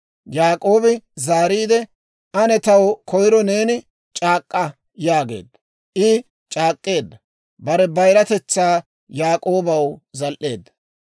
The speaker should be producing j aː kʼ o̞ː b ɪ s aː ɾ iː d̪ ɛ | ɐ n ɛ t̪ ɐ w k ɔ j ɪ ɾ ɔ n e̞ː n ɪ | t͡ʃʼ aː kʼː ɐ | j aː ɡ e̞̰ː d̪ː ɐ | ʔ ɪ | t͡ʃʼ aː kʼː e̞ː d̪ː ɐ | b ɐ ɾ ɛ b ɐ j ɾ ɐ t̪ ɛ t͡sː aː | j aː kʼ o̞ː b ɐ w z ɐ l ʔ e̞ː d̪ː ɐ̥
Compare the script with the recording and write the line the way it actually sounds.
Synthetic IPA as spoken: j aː kʼ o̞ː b ɪ z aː ɾ iː d̪ ɛ | ɐ n ɛ t̪ ɐ w k ɔ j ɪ ɾ ɔ n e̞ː n ɪ | t͡ʃʼ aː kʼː ɐ | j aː ɡ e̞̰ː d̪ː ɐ | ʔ ɪ | t͡ʃʼ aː kʼː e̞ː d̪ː ɐ | b ɐ ɾ ɛ b ɐ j ɾ ɐ t̪ ɛ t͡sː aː | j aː kʼ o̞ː b ɐ w z ɐ l ʔ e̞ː d̪ː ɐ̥